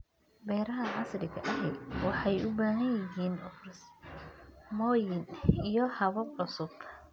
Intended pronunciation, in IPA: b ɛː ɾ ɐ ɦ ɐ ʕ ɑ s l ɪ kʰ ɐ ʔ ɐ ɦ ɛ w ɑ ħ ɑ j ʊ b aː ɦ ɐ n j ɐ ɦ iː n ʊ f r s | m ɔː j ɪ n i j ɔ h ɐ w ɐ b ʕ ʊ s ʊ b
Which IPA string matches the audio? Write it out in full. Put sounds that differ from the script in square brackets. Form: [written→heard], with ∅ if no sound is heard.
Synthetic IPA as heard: b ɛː ɾ ɐ ɦ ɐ ʕ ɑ s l ɪ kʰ ɐ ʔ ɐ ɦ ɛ w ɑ ħ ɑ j ʊ b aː ɦ ɐ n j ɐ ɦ iː n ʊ f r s | m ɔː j ɪ n i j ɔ h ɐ [w→β] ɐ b ʕ ʊ s ʊ b